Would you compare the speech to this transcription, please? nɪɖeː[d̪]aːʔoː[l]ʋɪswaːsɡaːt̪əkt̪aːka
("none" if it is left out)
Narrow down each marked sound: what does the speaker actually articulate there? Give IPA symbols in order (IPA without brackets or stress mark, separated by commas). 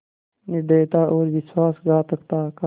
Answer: t̪, ɾ